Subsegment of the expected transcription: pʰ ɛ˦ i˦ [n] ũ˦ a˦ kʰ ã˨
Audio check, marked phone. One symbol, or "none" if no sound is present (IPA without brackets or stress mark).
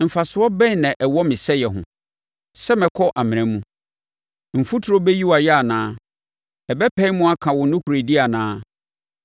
m